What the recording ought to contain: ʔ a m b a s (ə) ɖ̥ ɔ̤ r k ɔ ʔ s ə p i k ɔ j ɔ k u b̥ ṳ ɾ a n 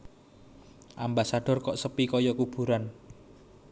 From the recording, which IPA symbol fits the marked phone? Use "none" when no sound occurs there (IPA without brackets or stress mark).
a